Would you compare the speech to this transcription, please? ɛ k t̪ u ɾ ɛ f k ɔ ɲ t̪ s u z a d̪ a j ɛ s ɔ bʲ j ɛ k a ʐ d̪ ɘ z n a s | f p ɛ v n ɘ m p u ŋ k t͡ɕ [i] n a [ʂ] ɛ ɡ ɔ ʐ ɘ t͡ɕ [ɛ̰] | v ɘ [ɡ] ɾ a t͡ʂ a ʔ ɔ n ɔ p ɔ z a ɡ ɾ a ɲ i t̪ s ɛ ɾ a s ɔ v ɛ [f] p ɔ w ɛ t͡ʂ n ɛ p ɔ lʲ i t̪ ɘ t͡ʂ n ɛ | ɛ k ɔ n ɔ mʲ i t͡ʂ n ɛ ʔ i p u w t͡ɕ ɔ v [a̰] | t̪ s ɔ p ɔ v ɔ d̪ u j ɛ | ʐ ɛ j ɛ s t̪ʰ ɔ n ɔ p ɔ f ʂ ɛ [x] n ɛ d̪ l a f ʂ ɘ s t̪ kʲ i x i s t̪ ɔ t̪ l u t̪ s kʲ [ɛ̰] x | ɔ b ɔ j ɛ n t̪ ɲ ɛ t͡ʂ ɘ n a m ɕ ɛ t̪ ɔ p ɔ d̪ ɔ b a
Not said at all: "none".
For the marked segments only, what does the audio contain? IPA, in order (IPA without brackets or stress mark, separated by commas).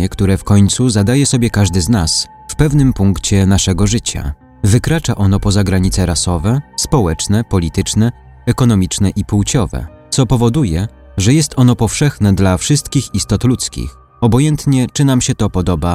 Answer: ɛ, ʂ, a̰, k, s, ɛ̰, x, ḭ